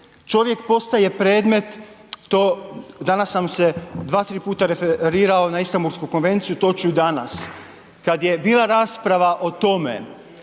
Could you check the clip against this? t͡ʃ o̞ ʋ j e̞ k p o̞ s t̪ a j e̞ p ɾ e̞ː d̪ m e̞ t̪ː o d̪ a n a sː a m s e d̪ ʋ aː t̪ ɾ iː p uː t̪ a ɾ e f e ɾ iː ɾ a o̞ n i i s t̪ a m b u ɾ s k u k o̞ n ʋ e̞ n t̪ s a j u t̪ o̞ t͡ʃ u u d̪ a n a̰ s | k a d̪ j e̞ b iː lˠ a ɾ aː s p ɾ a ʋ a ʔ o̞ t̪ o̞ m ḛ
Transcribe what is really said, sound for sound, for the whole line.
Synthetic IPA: t͡ʃ o̞ ʋ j e̞ k p o̞ s t̪ a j e̞ p ɾ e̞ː d̪ m e̞ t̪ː o d̪ a n a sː a m s e d̪ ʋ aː t̪ ɾ iː p uː t̪ a ɾ e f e ɾ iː ɾ a o̞ n a i s t̪ a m b u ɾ s k u k o̞ n ʋ e̞ n t̪ s i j u t̪ o̞ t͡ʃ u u d̪ a n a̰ s | k a d̪ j e̞ b iː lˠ a ɾ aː s p ɾ a ʋ a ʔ o̞ t̪ o̞ m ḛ